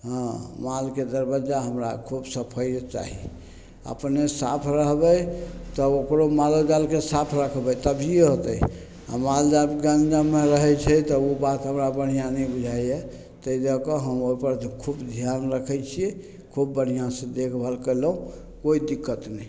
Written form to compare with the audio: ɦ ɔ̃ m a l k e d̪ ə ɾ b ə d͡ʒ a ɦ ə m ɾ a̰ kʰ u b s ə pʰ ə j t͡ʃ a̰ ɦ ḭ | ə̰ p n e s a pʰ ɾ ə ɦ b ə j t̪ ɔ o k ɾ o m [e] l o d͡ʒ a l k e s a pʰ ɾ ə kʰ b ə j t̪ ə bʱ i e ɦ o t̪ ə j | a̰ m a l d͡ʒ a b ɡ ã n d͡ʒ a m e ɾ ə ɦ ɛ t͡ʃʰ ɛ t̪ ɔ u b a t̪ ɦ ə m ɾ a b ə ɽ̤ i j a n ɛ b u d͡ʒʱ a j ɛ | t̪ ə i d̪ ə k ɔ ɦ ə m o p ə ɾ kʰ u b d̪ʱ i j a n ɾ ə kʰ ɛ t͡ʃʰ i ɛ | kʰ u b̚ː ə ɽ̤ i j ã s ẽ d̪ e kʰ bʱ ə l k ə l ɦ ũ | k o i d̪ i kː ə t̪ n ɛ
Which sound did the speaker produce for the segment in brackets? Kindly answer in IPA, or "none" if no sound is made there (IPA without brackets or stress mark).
a